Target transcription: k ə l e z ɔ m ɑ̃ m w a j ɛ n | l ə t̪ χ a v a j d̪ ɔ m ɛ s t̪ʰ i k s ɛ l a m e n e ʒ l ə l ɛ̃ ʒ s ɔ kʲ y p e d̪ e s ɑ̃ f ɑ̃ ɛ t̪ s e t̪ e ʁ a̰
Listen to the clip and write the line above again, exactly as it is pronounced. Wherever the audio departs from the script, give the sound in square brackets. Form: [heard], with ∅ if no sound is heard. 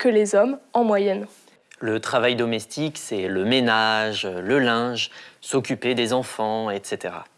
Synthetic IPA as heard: k ə l e z ɔ m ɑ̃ m w a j ɛ n | l ə t̪ χ a v a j d̪ ɔ m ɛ s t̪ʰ i k s ɛ l [ə] m e n [a] ʒ l ə l ɛ̃ ʒ s ɔ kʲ y p e d̪ e [z] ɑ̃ f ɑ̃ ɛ t̪ s e t̪ e ʁ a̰